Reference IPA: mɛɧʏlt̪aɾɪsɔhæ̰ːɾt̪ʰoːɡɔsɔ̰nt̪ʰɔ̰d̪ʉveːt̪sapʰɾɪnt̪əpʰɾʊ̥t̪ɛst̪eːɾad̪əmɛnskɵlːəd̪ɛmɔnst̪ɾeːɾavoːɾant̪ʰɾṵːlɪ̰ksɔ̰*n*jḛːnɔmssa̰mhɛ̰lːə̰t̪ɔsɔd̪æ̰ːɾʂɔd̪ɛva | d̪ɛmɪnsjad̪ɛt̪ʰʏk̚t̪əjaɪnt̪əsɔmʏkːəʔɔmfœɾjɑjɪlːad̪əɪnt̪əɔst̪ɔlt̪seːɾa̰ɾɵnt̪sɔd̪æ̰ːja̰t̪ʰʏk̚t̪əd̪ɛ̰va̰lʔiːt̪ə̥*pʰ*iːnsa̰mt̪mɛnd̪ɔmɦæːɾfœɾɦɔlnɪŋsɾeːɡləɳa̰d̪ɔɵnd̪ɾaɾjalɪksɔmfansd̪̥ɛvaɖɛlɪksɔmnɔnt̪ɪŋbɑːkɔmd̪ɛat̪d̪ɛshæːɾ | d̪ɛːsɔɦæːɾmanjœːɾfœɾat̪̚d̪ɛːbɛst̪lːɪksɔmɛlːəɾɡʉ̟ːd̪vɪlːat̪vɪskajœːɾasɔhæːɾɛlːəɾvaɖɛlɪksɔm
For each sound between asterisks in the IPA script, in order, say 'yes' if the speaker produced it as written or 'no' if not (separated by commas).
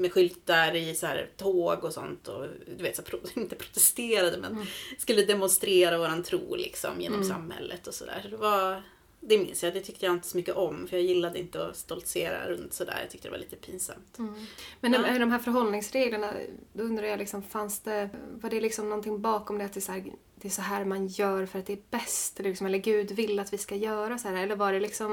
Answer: no, yes